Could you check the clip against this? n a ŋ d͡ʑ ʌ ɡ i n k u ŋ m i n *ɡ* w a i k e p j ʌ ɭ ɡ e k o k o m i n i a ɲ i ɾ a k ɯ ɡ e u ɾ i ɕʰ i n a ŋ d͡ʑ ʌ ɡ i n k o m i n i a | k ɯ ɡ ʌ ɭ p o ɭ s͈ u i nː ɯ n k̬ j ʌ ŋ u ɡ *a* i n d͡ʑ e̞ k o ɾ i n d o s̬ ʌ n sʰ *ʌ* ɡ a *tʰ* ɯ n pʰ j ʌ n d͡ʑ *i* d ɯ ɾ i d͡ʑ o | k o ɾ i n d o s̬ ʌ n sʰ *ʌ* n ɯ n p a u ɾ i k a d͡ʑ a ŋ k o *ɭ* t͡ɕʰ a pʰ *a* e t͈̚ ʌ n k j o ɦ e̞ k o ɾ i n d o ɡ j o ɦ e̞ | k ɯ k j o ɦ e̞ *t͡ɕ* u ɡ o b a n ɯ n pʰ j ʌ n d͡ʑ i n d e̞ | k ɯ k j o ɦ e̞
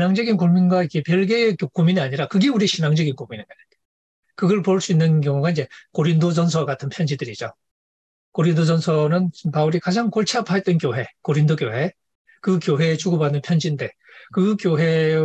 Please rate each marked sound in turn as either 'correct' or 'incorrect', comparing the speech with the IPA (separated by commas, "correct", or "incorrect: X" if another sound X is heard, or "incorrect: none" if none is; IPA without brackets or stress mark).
correct, correct, correct, correct, correct, correct, correct, correct, correct